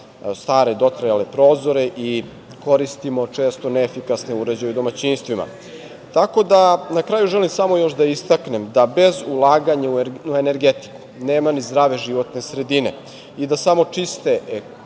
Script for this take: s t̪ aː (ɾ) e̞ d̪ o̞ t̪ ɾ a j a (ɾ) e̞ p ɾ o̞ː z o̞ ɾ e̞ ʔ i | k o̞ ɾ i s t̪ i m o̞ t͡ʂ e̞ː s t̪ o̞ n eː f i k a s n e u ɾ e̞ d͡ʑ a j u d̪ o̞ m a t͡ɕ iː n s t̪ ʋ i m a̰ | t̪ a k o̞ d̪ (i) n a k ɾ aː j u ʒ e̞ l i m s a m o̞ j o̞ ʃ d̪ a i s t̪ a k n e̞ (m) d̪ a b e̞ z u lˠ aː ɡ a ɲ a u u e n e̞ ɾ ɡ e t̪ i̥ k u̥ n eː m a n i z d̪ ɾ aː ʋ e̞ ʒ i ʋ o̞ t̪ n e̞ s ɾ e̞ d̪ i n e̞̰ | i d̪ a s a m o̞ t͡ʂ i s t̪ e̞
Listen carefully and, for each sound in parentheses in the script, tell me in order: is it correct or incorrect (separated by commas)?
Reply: correct, incorrect, incorrect, correct